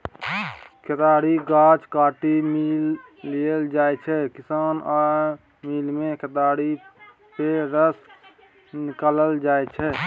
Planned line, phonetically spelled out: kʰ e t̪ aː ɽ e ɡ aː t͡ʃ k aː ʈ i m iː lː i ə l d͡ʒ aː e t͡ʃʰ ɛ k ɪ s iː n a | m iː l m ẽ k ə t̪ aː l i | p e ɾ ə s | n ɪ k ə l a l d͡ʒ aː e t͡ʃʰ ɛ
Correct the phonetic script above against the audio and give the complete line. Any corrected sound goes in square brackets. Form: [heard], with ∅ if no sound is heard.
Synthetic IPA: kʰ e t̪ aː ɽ [i] ɡ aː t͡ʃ k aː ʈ i m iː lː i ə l d͡ʒ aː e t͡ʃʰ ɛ k ɪ s [aː] n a | m iː l m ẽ k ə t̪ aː [ɽ] i | p e ɾ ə s | n ɪ k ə l [ə] l d͡ʒ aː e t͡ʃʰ ɛ